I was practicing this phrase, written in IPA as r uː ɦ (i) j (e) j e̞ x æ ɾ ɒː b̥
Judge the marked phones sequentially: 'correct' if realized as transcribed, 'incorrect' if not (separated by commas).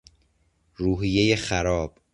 correct, correct